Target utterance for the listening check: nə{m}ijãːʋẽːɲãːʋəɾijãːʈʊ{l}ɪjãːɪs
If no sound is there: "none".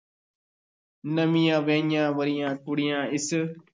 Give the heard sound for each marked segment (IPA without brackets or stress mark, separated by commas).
m, ɽ